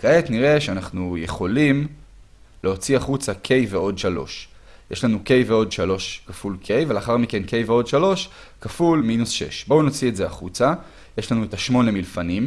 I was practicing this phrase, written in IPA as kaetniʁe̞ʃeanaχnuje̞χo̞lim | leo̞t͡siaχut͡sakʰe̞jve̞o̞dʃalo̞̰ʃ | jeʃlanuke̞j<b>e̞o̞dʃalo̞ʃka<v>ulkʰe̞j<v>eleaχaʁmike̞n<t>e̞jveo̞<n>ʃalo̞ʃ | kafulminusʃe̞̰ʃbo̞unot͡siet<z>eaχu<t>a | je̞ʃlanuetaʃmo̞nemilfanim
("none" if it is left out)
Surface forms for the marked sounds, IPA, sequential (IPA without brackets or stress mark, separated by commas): v, f, v, k, d, z, t͡s